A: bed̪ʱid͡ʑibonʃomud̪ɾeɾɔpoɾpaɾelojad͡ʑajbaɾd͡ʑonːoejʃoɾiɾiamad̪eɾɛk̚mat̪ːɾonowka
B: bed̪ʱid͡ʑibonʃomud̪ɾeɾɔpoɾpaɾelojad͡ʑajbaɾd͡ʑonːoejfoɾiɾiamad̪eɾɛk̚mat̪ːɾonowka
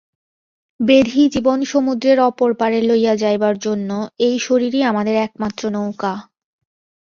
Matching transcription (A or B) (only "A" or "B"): A